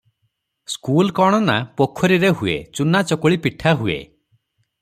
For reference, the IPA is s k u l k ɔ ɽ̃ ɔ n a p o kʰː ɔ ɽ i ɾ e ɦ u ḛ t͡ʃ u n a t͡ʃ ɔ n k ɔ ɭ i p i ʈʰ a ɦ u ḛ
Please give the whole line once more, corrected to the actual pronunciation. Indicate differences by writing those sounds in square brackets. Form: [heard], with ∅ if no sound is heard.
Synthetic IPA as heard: s k u l k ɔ ɽ̃ ɔ n a p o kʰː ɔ [ɾ] i ɾ e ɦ u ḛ t͡ʃ u n a t͡ʃ ɔ [∅] k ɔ ɭ i p i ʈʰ a ɦ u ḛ